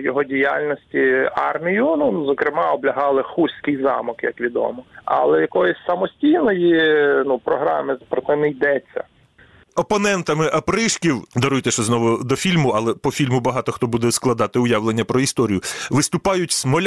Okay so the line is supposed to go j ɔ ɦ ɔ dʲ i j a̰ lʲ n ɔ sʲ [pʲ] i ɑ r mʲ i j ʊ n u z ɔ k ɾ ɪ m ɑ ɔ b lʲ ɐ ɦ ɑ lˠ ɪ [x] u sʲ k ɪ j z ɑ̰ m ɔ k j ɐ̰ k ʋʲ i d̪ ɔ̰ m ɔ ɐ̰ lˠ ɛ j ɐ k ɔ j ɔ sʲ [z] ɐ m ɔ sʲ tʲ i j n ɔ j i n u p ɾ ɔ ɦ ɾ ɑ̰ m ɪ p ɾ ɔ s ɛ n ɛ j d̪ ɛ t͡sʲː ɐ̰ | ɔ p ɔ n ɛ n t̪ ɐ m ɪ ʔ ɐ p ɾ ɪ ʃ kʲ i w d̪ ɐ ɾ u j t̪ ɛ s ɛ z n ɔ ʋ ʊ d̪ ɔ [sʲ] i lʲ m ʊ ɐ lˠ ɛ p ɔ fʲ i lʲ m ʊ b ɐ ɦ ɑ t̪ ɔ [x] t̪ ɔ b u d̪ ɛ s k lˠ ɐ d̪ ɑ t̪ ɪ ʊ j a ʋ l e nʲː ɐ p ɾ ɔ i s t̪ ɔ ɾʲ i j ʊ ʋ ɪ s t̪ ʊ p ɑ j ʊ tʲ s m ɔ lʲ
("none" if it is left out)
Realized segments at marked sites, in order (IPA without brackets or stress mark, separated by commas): tʲ, x, s, fʲ, x